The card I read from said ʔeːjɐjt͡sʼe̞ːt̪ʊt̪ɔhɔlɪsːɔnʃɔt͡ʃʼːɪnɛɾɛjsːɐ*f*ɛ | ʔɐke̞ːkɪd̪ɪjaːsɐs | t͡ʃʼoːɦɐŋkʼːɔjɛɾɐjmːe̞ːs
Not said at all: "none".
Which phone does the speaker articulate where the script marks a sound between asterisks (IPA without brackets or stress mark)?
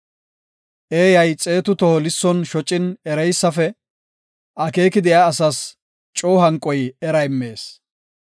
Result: f